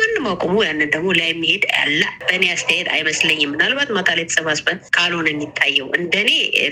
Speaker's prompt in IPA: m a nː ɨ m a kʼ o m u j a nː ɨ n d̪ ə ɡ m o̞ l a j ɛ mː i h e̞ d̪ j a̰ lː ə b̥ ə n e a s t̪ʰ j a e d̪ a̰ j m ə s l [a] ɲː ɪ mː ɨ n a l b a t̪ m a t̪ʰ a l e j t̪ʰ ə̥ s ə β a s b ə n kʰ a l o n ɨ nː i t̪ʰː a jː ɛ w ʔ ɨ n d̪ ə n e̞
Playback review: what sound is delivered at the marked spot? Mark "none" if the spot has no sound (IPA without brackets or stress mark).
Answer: ə